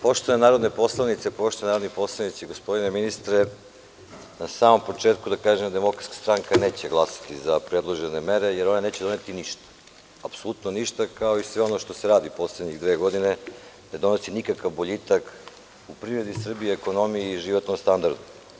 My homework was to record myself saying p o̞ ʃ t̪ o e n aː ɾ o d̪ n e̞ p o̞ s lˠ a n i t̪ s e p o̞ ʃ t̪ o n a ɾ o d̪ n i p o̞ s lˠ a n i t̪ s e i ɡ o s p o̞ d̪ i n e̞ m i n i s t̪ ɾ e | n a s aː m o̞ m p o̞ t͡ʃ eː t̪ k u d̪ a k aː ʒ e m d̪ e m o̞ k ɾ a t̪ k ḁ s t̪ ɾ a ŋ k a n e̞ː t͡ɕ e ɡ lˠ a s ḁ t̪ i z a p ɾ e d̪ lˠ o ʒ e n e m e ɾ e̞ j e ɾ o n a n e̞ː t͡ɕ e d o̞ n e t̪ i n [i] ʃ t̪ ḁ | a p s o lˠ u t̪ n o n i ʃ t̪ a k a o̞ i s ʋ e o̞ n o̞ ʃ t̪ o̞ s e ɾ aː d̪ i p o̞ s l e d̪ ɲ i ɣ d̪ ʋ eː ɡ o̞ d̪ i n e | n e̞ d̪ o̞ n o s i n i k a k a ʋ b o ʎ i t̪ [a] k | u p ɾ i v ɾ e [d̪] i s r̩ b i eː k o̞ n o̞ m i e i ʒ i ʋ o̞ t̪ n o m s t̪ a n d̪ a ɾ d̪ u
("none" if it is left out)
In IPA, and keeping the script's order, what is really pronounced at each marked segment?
i, a, d̪

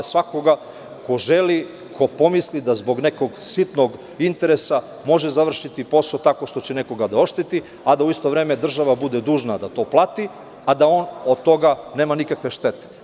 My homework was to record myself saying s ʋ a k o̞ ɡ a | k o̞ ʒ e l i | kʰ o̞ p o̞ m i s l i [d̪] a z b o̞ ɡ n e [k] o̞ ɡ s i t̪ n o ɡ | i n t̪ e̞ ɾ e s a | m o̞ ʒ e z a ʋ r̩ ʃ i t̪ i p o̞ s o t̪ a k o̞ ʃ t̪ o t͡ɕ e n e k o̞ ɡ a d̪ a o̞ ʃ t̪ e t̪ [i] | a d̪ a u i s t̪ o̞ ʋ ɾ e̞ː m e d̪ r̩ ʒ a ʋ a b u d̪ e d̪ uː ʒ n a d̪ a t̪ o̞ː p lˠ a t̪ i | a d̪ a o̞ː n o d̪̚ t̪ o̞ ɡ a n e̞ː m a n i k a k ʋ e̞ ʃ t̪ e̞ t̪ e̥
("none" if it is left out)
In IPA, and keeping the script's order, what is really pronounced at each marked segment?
d̪, k, i

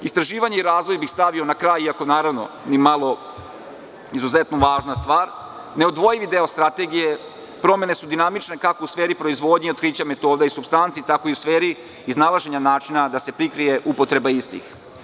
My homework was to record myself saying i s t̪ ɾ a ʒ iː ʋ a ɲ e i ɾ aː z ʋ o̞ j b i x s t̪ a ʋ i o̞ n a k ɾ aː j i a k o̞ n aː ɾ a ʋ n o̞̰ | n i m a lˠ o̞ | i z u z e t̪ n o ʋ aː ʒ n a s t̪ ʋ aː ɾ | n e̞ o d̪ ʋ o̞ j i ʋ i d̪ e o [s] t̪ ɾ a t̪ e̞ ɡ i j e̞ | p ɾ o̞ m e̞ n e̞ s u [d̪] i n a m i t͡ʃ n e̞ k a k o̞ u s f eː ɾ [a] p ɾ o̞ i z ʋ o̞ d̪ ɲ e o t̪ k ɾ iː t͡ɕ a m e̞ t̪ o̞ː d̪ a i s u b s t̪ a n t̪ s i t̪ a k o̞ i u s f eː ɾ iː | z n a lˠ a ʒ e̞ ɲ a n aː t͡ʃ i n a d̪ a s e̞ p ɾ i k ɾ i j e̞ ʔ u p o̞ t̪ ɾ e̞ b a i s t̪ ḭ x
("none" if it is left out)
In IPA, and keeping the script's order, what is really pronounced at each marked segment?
s, d̪, i

